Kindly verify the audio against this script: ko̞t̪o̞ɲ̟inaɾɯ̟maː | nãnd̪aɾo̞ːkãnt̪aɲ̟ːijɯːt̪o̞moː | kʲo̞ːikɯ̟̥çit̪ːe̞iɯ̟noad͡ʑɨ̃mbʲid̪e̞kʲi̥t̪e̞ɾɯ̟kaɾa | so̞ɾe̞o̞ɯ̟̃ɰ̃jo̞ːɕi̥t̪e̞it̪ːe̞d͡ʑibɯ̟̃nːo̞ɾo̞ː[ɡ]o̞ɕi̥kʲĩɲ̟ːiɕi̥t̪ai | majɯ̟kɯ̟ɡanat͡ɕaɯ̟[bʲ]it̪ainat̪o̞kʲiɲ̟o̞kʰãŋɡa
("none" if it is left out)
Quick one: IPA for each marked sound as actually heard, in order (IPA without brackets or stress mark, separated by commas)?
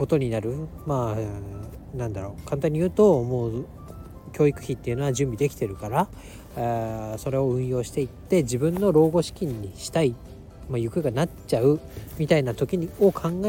ɡ, mʲ